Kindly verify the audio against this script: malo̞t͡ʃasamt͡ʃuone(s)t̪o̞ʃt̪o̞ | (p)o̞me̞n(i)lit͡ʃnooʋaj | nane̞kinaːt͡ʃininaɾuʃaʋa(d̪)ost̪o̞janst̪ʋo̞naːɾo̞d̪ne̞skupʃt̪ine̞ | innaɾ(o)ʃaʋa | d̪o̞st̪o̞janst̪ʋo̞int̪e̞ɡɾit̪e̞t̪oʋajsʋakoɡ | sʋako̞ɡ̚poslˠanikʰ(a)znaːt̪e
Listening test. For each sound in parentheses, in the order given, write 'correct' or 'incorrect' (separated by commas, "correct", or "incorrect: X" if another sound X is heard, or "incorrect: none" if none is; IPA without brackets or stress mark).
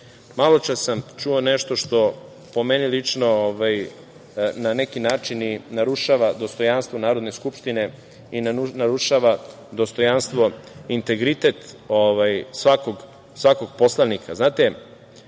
incorrect: ʃ, correct, correct, correct, incorrect: u, correct